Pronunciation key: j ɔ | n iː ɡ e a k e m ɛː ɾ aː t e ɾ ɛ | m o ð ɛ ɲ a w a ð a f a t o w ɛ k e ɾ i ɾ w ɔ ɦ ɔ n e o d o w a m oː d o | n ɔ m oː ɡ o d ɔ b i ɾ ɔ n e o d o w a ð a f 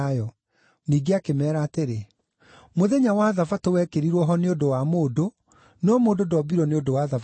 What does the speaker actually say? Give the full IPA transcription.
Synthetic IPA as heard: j ɔ | n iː ɡ e a k e m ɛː ɾ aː t e ɾ e | m o ð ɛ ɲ a w a ð a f a t o w ɛ k e ɾ i ɾ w ɔ ɦ ɔ n e o d o w a m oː d o | n ɔ m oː d o d ɔ b i ɾ ɔ n e o d o w a ð a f